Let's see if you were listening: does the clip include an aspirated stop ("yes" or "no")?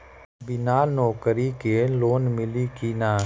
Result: no